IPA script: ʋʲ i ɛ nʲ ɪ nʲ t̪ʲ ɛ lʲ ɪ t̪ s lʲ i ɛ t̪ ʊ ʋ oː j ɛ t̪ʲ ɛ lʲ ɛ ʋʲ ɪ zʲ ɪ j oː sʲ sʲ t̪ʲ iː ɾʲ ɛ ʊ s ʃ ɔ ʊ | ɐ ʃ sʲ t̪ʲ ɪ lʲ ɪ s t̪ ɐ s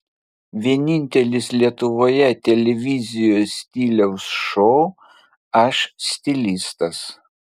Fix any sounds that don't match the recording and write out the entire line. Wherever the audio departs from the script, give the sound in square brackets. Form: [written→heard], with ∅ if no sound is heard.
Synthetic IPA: ʋʲ i ɛ nʲ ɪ nʲ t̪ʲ ɛ lʲ ɪ [t̪→∅] s lʲ i ɛ t̪ ʊ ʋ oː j ɛ t̪ʲ ɛ lʲ ɛ ʋʲ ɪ zʲ ɪ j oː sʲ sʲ t̪ʲ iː [ɾʲ→lʲ] ɛ ʊ s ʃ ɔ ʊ | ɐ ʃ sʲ t̪ʲ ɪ lʲ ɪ s t̪ ɐ s